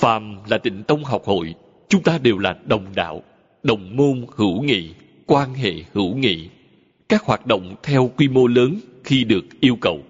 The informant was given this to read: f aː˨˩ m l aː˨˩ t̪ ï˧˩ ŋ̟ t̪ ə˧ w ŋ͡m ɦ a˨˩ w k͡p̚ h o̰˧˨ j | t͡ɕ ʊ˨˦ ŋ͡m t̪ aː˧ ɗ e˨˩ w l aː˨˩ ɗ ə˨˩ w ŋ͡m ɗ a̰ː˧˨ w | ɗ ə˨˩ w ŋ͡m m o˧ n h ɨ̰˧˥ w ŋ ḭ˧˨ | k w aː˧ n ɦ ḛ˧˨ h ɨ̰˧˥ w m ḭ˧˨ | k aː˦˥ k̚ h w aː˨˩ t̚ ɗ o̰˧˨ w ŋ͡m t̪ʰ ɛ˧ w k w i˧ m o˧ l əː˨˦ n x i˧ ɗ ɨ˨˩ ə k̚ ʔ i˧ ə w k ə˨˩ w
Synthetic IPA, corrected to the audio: f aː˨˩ m l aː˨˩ t̪ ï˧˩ ŋ̟ t̪ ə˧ w ŋ͡m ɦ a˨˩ w k͡p̚ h o̰˧˨ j | t͡ɕ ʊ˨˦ ŋ͡m t̪ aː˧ ɗ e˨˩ w l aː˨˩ ɗ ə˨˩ w ŋ͡m ɗ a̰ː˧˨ w | ɗ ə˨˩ w ŋ͡m m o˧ n h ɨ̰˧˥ w ŋ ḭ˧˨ | k w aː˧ n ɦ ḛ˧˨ h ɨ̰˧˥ w ŋ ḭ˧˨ | k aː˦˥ k̚ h w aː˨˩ t̚ ɗ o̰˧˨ w ŋ͡m t̪ʰ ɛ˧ w k w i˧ m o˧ l əː˨˦ n x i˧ ɗ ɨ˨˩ ə k̚ ʔ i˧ ə w k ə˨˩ w